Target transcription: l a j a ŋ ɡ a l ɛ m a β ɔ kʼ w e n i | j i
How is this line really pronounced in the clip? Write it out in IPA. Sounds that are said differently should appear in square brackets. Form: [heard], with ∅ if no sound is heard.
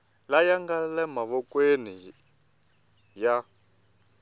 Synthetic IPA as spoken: l a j a ŋ ɡ a l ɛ m a β ɔ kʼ w e n i | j [a]